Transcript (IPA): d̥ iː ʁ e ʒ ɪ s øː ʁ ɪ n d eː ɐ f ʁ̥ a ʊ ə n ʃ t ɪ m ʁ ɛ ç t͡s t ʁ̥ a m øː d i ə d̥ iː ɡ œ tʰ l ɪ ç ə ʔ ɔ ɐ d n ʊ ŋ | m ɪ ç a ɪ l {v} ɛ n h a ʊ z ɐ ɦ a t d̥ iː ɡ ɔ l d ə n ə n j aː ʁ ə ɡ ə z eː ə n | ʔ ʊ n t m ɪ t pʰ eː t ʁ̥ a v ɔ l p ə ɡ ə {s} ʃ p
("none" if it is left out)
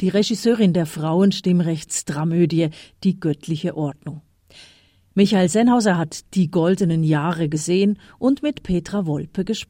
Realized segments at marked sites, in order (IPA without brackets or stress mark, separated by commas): z, none